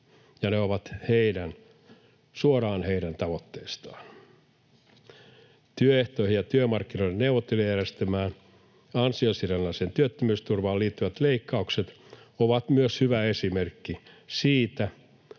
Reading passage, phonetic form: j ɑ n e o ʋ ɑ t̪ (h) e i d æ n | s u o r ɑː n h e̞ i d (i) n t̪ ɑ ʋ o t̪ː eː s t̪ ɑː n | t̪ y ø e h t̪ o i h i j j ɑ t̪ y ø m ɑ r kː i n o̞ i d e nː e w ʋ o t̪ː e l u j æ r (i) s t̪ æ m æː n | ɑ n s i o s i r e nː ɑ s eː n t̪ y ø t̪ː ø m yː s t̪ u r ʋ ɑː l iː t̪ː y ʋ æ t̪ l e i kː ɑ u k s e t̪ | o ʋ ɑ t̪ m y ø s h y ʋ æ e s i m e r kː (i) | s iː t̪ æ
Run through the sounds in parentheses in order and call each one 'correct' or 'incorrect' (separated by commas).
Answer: correct, incorrect, incorrect, correct